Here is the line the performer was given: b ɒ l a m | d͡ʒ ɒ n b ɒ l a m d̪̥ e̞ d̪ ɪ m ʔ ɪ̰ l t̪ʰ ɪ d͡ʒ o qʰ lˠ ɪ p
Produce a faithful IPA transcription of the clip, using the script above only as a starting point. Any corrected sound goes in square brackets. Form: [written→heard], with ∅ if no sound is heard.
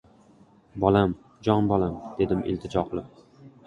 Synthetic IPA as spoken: b ɒ l a m | d͡ʒ ɒ n b ɒ l a m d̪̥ e̞ d̪ ɪ m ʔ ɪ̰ l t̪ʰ ɪ d͡ʒ [o→ɒ] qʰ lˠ ɪ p